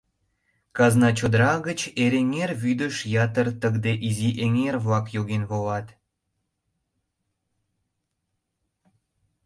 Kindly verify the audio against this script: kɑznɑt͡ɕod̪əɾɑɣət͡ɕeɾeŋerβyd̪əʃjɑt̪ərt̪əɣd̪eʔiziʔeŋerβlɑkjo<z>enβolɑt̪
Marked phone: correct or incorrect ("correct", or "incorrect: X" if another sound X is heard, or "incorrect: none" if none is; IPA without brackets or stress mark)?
incorrect: ɣ